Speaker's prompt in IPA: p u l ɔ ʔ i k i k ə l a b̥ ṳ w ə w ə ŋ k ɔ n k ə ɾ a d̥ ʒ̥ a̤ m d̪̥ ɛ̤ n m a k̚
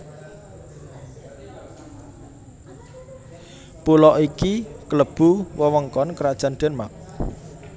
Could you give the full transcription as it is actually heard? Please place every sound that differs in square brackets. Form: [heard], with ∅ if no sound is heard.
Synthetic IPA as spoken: p u l ɔ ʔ i k i k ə l [ə] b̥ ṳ w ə w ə ŋ k ɔ n k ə ɾ a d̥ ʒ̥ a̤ [n] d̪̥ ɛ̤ n m a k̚